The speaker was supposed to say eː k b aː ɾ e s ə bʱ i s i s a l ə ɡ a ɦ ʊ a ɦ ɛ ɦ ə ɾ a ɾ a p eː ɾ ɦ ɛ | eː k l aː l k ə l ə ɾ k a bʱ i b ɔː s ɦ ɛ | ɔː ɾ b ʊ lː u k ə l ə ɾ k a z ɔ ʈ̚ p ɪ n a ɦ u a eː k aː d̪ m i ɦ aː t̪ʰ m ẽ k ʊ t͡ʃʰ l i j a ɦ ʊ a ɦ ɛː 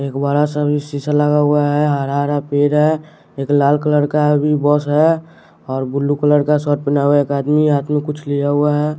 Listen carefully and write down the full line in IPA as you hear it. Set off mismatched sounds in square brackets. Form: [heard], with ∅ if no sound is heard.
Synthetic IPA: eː k b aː ɾ [a] s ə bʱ i s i s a l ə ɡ a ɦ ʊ a ɦ ɛ ɦ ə ɾ a ɾ a p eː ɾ ɦ ɛ | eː k l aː l k ə l ə ɾ k a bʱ i b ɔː s ɦ ɛ | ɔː ɾ b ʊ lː u k ə l ə ɾ k a [s] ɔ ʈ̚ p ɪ n a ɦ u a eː k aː d̪ m i ɦ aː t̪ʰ m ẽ k ʊ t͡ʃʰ l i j a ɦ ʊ a ɦ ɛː